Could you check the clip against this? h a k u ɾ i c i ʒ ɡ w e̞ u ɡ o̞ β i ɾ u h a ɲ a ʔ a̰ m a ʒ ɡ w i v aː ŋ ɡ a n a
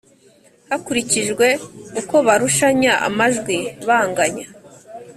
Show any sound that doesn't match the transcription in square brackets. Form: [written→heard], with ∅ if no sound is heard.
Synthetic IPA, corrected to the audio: h a k u ɾ i c i ʒ ɡ w e̞ u [ɡ→k] o̞ β [i→a] ɾ u [h→ʃ] a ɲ a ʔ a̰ m a ʒ ɡ w i [v→β] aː ŋ ɡ a [n→ɲ] a